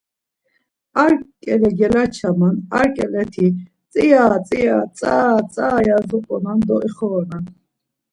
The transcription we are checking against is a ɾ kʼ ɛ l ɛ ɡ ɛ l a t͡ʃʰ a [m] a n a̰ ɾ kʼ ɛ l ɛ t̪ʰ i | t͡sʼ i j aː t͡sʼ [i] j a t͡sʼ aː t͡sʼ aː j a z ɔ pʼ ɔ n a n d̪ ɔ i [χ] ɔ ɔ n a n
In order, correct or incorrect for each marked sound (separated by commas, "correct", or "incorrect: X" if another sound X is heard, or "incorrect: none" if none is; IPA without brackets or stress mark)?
correct, correct, correct